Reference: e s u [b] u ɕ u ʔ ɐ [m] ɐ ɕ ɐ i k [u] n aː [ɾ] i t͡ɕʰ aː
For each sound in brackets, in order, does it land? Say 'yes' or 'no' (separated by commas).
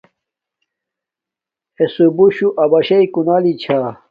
yes, no, yes, no